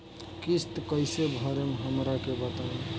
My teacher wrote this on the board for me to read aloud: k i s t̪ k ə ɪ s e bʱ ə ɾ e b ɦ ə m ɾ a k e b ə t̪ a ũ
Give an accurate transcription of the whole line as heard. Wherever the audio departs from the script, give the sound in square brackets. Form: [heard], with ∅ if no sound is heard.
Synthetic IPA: k i s t̪ k ə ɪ s e bʱ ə ɾ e [m] ɦ ə m ɾ a k e b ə t̪ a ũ